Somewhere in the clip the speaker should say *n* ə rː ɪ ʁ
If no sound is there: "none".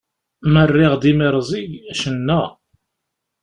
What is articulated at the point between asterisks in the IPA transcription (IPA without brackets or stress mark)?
m